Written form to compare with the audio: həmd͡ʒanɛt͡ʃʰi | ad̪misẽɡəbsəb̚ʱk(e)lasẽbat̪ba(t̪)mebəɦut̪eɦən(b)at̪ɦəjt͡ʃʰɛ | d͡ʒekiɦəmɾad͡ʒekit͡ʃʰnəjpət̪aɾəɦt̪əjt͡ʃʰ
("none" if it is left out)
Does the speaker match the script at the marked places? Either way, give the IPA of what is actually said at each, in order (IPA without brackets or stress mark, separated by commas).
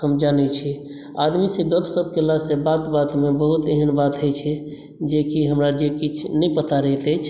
e, t̪, b